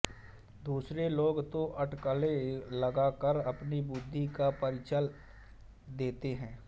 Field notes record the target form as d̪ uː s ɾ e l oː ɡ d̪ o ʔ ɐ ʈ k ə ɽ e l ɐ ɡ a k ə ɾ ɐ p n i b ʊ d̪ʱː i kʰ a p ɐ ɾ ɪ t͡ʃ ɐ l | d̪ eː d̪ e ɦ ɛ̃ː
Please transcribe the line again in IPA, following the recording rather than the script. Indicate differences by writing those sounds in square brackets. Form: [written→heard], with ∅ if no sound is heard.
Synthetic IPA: d̪ uː s ɾ e l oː ɡ [d̪→t̪] o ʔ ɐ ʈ k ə [ɽ→l] e l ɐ ɡ a k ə ɾ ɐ p n i b ʊ d̪ʱː i [kʰ→k] a p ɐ ɾ ɪ t͡ʃ [ɐ→ə] l | d̪ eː [d̪→t̪] e ɦ ɛ̃ː